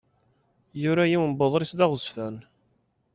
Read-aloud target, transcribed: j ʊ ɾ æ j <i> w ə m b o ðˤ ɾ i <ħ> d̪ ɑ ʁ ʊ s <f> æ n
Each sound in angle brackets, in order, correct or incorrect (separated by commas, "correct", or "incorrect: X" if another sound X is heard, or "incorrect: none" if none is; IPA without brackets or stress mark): correct, incorrect: s, correct